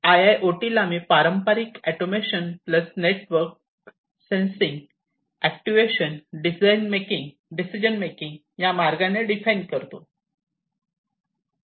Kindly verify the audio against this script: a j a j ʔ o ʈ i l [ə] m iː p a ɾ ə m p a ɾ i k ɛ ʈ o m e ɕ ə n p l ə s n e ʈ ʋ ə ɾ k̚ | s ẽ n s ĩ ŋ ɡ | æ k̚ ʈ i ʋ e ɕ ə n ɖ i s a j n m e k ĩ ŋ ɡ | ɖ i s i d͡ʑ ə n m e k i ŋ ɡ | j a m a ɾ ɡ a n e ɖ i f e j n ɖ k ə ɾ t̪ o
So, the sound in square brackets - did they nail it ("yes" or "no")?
no